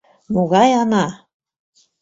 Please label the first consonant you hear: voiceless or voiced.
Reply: voiced